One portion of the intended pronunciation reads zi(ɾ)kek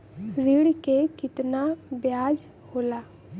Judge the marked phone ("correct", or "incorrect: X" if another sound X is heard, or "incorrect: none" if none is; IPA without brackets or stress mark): incorrect: ɽ